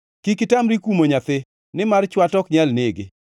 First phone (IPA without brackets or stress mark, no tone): k